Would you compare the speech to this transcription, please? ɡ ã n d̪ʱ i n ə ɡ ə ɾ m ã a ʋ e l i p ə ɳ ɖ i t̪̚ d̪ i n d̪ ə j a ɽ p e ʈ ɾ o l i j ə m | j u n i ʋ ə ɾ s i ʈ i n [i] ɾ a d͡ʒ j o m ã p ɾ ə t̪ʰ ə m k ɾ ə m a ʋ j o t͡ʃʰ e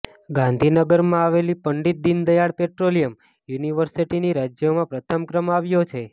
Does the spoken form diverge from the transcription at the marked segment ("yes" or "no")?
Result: no